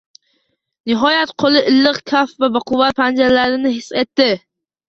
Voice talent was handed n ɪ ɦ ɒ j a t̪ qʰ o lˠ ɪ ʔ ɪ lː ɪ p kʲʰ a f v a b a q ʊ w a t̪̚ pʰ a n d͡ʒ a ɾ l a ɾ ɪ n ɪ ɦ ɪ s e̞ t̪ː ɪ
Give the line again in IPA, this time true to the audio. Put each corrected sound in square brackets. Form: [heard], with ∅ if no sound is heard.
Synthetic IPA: n ɪ ɦ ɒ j a t̪ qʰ o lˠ ɪ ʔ ɪ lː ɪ [q] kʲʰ a f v a b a q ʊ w a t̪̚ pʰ a n d͡ʒ a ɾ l a ɾ ɪ n ɪ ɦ ɪ s e̞ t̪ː ɪ